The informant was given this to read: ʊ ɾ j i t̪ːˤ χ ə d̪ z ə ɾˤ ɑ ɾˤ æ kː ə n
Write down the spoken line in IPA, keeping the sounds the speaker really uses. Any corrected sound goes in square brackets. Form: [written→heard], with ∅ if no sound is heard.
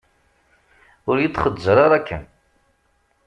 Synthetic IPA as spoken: ʊ ɾ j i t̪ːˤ χ ə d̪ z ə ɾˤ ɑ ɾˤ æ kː ə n

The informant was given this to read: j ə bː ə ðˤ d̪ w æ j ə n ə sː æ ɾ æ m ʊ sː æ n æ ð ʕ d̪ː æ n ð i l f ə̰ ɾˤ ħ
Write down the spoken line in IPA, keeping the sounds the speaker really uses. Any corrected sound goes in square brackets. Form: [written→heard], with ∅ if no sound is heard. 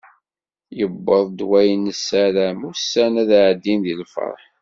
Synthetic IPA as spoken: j ə bː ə ðˤ d̪ w æ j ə n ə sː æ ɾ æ m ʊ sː æ n æ ð ʕ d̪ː [æ→i] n ð i l f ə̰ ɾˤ ħ

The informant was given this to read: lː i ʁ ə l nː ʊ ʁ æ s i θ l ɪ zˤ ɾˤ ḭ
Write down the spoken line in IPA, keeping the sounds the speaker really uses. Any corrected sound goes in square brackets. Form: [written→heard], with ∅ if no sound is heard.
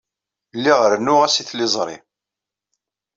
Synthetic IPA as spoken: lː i ʁ ə [l→ɾ] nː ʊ ʁ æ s i θ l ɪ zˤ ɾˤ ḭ

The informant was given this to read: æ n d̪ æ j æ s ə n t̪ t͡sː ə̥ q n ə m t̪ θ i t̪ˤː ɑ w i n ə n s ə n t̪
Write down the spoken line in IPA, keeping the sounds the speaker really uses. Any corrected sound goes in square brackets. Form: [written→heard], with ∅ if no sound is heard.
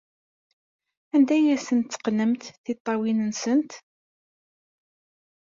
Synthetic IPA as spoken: æ n d̪ æ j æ s ə n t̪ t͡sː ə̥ q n ə m t̪ θ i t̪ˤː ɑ w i n ə n s ə n t̪

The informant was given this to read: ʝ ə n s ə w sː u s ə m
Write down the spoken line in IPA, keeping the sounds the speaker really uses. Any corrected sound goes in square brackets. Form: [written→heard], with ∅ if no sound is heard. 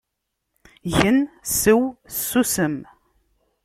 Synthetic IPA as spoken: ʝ ə n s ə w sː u s ə m

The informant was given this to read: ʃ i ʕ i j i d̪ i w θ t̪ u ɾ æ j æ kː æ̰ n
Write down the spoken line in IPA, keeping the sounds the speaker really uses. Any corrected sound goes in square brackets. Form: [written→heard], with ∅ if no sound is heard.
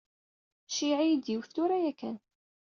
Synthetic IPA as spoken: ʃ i ʕ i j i d̪ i w θ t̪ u ɾ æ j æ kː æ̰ n

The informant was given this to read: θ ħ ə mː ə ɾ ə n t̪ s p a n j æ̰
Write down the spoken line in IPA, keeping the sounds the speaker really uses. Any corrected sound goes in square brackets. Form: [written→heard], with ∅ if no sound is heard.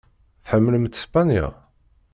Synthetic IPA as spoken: θ ħ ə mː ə [ɾ→l] ə [n→m] t̪ s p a n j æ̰

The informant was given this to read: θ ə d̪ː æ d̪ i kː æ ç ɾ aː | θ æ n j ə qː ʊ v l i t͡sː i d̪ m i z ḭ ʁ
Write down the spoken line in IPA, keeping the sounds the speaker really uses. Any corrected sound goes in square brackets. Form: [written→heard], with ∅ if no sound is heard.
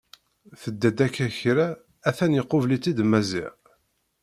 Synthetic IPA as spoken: θ ə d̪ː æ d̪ [i→æ] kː æ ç ɾ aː | θ æ n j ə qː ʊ v l i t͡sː i d̪ m [i→æ] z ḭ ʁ

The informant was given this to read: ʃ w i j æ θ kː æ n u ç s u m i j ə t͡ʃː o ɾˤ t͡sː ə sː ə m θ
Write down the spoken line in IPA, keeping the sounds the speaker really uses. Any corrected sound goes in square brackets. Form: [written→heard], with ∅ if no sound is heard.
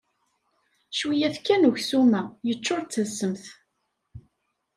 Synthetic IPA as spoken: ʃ w i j æ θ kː æ n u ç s u m [i→æ] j ə t͡ʃː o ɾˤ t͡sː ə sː ə m θ

